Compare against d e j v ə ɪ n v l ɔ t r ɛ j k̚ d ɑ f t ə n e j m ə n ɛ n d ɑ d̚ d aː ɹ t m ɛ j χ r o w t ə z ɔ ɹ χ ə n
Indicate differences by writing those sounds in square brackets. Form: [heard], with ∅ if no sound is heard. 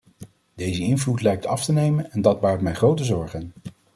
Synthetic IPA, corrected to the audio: d e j [z] ə ɪ n v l [u] t [l] ɛ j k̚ [t] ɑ f t ə n e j m ə n ɛ n d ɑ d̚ [b] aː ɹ t m ɛ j χ r o w t ə z ɔ ɹ χ ə n